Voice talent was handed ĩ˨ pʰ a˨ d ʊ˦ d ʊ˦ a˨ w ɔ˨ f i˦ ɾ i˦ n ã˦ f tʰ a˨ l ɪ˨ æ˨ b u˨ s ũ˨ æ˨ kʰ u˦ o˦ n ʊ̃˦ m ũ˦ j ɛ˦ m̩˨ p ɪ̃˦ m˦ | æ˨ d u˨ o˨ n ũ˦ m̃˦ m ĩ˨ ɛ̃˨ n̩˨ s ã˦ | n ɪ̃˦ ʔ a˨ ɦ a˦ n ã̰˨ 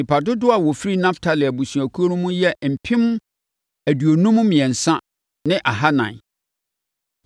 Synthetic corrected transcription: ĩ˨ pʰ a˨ d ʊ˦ d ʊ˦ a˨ w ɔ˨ f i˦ ɾ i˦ n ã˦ f tʰ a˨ l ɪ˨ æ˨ b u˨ s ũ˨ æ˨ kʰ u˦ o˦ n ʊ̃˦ m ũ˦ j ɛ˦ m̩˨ pʰ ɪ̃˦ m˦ | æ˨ d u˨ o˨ n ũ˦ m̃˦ m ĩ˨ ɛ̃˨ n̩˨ s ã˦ | n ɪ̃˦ ʔ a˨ ɦ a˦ n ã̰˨